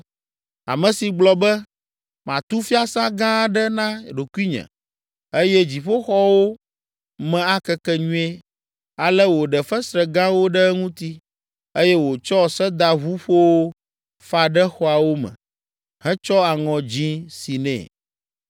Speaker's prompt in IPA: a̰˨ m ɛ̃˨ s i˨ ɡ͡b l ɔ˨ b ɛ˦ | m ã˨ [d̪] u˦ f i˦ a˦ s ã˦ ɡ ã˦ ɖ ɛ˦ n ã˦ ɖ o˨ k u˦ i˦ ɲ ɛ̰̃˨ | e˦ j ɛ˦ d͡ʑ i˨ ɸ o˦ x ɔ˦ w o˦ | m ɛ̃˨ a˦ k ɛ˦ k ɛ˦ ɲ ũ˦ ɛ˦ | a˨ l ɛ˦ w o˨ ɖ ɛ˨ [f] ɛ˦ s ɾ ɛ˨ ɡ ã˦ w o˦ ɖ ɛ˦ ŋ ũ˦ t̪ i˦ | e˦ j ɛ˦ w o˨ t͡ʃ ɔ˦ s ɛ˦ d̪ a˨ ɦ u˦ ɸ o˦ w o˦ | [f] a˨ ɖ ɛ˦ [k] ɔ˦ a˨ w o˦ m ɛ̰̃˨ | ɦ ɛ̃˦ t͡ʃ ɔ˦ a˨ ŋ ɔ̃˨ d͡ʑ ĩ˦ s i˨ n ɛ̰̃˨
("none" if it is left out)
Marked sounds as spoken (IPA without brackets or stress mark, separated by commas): t̪, f, f, x